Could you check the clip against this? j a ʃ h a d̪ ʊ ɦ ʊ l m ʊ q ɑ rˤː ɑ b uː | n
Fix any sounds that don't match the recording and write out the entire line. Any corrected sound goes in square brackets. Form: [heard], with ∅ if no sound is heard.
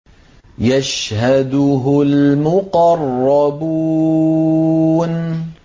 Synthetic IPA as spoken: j a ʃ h a d̪ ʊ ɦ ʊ l m ʊ q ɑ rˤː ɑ b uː | n

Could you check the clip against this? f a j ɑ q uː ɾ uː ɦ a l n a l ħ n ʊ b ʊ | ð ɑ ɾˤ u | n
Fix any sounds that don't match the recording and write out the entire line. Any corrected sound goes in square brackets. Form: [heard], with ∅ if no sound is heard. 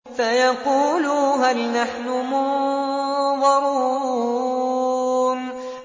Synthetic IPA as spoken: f a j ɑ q uː [l] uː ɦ a l n a [∅] ħ n ʊ [m] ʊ | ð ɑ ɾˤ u | n

